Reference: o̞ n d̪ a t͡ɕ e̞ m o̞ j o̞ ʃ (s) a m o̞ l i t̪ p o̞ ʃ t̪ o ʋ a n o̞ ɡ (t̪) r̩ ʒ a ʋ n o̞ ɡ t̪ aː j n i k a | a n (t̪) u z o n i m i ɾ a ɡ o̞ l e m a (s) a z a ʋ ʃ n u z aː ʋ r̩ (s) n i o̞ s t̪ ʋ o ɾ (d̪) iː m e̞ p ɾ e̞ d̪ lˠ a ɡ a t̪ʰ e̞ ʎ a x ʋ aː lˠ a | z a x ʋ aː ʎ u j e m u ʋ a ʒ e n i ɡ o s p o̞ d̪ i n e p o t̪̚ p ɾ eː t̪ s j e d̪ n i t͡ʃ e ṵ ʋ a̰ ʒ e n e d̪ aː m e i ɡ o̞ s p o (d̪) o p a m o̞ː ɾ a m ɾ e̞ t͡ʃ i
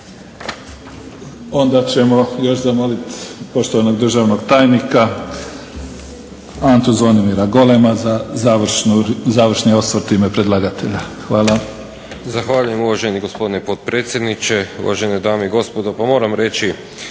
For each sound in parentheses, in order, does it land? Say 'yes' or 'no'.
no, no, yes, no, no, no, yes

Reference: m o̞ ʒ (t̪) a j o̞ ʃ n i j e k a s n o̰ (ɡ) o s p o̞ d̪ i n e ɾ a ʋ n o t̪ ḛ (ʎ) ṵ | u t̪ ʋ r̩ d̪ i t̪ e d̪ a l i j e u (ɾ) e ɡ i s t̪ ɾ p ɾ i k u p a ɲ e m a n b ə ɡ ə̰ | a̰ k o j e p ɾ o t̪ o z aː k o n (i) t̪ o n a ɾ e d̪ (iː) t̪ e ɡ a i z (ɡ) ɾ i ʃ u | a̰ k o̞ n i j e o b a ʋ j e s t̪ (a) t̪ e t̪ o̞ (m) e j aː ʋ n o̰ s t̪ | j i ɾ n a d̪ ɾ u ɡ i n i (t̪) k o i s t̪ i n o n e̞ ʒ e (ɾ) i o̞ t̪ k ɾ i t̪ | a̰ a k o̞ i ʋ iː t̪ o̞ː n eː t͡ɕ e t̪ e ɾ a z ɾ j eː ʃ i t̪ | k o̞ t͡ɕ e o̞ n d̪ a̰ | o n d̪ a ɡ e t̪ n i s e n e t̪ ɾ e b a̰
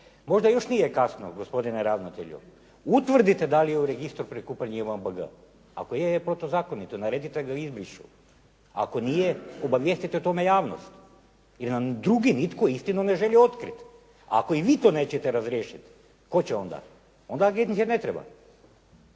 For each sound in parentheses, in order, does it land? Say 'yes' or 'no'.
no, yes, yes, yes, yes, no, no, no, yes, yes, no

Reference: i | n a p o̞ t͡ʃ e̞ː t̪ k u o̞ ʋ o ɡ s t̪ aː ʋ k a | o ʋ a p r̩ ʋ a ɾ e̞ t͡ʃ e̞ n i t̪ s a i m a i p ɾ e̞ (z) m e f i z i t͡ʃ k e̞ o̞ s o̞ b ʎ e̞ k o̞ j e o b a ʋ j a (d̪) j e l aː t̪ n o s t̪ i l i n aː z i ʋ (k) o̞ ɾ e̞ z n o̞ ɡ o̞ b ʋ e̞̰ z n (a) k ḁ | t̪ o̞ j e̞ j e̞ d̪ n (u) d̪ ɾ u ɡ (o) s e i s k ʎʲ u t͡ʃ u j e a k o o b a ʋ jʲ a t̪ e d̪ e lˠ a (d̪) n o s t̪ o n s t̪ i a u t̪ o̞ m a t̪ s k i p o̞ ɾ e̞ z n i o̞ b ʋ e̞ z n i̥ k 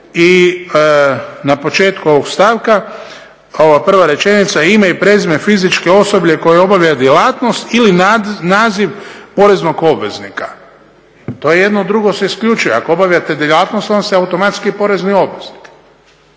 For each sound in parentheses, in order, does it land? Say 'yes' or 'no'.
yes, yes, no, no, no, yes, no

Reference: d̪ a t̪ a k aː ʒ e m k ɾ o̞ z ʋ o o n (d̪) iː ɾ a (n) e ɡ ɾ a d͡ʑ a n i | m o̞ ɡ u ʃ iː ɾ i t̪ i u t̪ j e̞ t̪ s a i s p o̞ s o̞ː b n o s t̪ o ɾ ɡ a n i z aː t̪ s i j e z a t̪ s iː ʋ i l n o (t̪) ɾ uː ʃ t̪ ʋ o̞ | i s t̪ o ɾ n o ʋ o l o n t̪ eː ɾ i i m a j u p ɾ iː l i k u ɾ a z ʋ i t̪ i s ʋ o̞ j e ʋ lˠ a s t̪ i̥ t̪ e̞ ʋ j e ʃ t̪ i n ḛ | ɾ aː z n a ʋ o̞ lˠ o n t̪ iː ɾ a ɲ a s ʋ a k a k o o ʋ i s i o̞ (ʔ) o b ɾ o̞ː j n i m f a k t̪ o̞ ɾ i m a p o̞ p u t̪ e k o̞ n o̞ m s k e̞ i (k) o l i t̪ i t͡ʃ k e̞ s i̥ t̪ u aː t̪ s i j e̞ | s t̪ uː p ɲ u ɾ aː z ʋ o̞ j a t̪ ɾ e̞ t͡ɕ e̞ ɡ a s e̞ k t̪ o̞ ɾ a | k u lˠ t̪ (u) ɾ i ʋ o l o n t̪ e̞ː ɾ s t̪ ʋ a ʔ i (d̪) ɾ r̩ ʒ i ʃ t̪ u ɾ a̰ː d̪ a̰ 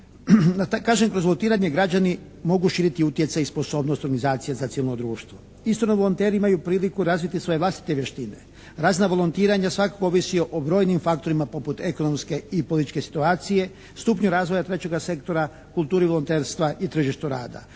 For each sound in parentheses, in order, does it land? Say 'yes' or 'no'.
no, no, no, yes, no, no, no

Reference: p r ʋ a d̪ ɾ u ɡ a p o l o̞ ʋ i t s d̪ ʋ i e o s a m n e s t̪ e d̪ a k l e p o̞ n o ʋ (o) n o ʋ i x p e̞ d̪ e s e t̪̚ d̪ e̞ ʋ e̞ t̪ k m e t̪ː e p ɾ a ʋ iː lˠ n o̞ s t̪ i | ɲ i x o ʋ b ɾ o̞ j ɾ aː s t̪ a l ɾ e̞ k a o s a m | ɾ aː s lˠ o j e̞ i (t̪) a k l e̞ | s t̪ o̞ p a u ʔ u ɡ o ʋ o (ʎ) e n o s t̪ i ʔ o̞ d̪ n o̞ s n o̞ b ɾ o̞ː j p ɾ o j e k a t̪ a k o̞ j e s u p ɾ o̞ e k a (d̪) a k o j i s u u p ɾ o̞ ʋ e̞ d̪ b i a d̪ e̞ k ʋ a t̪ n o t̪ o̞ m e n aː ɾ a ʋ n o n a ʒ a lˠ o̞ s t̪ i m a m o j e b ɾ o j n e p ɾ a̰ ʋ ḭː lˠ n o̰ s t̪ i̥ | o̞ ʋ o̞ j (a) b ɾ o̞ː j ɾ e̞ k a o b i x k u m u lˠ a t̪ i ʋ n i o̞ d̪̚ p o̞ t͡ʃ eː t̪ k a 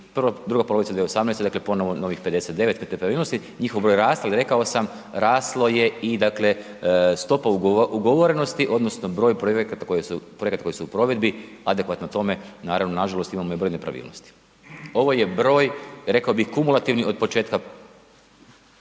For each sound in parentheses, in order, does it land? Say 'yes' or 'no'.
yes, no, no, no, no

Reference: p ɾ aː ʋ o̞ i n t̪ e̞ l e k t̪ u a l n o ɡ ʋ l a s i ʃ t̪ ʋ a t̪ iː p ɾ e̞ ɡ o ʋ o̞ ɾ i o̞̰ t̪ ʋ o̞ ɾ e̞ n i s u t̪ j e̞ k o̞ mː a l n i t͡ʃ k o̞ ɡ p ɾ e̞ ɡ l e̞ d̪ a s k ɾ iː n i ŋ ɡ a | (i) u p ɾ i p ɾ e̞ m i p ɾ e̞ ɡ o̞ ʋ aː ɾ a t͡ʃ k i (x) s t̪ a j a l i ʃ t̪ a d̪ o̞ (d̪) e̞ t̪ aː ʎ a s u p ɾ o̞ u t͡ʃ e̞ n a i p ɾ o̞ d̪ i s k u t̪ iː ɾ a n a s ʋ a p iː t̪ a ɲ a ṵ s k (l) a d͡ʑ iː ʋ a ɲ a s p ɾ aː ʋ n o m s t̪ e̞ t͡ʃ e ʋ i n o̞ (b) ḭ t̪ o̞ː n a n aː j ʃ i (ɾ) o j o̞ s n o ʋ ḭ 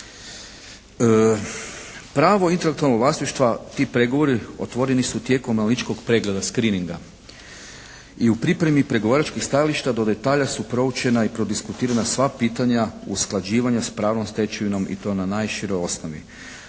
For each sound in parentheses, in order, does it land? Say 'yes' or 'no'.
yes, yes, yes, yes, no, yes

